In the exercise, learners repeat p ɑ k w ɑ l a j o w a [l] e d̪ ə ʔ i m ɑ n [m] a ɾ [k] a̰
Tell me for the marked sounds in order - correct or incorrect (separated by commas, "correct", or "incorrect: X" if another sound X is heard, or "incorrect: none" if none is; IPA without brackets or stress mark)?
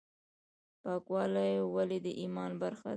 correct, incorrect: b, incorrect: x